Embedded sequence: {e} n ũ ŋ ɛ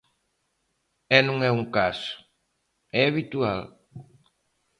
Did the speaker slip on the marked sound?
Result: yes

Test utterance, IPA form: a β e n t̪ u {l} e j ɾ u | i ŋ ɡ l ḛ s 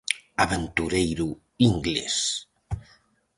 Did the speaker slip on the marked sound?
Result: yes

